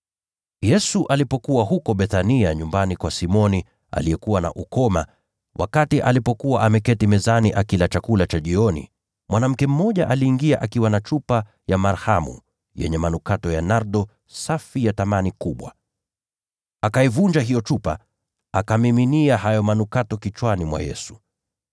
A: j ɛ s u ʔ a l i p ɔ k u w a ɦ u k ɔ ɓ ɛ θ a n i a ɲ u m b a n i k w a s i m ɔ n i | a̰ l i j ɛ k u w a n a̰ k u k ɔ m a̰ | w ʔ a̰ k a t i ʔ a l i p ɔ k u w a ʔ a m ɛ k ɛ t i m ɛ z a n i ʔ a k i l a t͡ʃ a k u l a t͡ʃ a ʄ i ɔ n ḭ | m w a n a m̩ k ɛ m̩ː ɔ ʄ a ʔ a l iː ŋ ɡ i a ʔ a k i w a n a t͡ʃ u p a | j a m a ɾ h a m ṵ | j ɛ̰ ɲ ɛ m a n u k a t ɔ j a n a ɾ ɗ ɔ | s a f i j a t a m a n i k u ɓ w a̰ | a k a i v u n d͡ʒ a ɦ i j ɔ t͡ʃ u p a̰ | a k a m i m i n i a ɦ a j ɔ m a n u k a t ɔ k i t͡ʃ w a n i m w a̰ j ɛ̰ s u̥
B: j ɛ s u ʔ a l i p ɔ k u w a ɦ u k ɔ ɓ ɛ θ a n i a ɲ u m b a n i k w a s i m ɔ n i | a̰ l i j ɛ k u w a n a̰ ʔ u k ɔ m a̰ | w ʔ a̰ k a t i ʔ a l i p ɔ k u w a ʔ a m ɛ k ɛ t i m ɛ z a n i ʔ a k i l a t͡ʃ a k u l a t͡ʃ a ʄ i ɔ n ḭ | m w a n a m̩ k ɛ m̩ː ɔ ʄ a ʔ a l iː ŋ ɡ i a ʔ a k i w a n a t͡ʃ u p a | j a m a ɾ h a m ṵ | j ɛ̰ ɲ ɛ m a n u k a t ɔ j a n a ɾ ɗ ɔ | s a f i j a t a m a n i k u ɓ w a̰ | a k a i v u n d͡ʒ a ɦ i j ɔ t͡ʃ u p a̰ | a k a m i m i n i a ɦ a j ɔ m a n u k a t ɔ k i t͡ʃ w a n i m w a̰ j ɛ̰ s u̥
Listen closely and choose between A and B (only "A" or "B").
B